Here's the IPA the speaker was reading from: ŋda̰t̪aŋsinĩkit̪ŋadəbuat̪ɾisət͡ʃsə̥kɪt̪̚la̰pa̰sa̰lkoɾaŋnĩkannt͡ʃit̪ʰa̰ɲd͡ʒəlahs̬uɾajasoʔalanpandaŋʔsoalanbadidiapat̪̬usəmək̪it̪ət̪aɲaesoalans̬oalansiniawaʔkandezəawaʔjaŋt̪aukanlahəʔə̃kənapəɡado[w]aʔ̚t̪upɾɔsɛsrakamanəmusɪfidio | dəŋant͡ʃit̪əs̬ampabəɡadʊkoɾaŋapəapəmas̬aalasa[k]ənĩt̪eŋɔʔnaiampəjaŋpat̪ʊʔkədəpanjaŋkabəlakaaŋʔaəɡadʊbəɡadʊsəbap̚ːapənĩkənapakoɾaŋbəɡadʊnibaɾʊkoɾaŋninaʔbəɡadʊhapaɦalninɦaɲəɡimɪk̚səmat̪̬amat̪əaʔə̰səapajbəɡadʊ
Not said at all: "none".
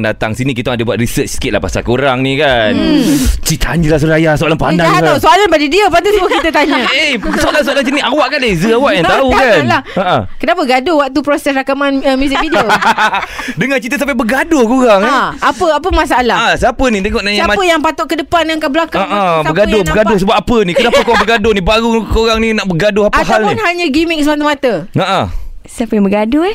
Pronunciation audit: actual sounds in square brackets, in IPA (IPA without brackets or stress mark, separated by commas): w, p